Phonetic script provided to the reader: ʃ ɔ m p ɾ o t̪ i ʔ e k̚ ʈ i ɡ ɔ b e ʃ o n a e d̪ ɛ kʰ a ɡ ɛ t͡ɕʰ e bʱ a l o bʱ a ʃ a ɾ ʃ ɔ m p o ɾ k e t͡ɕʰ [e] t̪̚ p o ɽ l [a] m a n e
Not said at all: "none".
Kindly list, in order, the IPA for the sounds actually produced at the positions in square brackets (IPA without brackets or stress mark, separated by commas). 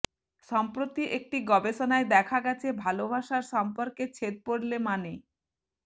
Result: e, e